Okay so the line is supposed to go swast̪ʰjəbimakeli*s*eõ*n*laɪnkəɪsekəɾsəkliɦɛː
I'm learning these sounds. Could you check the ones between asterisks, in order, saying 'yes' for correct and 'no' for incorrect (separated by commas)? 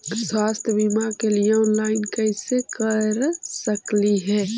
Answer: no, yes